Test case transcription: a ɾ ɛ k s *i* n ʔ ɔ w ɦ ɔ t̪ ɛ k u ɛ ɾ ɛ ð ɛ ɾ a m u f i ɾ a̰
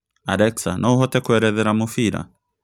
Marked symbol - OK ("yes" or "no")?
no